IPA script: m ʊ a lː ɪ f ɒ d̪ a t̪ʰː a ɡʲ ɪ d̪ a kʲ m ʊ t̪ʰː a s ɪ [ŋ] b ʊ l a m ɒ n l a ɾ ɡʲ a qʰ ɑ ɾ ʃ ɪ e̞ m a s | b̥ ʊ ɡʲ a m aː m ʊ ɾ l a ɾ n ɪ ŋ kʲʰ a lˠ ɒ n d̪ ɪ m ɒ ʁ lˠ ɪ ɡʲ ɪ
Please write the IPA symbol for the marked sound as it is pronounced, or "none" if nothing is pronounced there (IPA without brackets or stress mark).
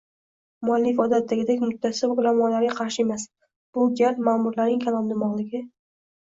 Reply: none